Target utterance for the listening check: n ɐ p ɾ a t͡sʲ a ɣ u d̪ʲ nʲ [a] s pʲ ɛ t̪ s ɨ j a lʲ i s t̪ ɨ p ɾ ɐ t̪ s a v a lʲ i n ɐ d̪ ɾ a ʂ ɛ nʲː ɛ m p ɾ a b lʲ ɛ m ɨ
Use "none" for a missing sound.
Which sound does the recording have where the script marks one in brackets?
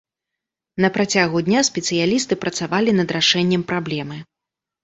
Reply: a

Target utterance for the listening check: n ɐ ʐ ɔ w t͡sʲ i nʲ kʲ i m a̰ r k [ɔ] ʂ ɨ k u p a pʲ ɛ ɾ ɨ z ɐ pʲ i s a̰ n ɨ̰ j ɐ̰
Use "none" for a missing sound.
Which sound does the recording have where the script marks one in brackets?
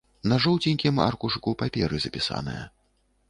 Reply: u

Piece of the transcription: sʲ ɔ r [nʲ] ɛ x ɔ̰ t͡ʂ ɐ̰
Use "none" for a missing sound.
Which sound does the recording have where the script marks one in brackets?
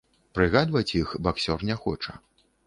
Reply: nʲ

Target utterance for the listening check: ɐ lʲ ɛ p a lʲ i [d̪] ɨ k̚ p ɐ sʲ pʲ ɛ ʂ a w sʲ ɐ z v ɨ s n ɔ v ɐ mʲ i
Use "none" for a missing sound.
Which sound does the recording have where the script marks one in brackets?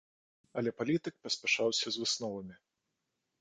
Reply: t̪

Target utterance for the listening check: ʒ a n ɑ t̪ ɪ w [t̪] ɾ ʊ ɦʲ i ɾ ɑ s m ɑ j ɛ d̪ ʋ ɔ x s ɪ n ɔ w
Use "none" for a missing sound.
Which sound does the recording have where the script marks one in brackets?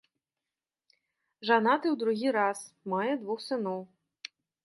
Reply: d̪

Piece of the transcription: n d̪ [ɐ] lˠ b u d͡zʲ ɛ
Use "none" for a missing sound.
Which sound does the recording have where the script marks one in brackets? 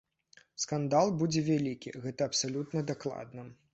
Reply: a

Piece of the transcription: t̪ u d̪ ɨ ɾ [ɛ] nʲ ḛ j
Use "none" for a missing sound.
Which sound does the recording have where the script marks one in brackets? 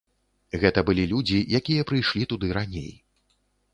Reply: a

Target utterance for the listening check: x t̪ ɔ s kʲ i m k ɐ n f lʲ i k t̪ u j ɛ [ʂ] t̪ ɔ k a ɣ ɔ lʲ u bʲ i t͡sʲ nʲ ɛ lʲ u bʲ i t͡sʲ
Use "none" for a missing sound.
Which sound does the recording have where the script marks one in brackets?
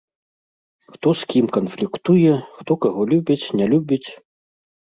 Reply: x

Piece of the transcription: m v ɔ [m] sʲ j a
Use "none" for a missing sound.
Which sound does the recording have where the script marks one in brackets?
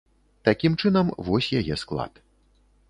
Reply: none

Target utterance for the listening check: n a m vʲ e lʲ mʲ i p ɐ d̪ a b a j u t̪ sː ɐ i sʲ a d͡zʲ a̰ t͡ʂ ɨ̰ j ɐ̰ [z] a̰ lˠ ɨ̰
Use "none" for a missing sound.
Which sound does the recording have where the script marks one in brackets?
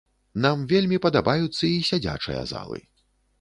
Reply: z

